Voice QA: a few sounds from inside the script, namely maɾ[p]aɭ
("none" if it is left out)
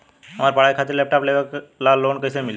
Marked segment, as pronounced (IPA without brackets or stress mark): p